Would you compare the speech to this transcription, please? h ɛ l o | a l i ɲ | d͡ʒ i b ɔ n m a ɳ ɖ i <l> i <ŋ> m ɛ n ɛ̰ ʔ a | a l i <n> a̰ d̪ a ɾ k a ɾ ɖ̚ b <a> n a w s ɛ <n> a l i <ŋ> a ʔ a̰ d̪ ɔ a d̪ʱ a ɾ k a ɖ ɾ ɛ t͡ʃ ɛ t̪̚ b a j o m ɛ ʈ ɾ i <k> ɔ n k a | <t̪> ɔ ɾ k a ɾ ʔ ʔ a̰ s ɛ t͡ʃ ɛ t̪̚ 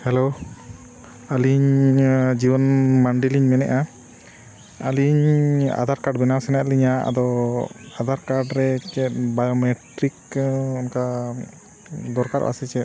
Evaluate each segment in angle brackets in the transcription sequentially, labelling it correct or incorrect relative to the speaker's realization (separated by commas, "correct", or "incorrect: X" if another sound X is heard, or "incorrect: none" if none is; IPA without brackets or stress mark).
correct, incorrect: ɲ, incorrect: ɲ, incorrect: ɛ, correct, incorrect: ɲ, correct, incorrect: d̪